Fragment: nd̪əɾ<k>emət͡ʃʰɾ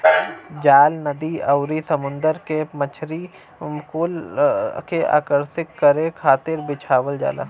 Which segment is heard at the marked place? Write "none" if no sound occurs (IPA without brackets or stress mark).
k